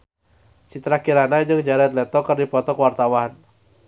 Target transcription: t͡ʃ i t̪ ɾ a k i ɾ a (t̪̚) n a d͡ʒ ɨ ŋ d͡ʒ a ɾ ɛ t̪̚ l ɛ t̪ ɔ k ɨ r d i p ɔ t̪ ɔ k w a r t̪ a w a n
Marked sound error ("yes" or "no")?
yes